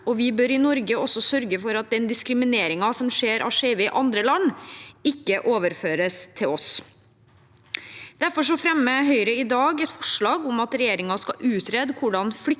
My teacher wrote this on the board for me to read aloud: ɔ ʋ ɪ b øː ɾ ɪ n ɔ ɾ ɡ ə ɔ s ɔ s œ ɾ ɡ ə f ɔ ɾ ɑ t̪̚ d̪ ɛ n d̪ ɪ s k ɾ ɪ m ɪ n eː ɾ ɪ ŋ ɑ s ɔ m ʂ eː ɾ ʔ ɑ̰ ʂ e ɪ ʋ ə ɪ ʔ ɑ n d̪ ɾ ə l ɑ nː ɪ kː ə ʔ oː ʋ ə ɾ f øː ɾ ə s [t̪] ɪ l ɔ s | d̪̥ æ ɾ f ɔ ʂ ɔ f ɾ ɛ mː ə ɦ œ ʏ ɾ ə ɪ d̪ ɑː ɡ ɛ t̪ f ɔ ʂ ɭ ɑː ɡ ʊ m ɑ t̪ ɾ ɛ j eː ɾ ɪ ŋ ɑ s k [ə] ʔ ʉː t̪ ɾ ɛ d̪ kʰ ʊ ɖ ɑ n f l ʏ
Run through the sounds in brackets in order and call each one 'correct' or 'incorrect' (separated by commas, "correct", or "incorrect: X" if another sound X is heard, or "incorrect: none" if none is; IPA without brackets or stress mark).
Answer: incorrect: t̪ʰ, incorrect: ɑ